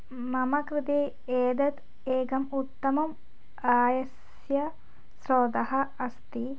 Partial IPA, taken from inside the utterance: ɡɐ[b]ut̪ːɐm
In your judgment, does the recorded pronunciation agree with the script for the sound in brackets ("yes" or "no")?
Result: no